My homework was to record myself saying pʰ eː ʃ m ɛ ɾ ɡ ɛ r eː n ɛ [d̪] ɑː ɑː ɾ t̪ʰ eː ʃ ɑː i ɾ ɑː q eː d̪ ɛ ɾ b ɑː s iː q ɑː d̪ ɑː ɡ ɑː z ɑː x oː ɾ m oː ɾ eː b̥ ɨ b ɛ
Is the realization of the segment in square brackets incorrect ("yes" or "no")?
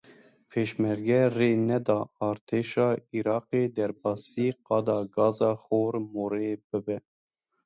no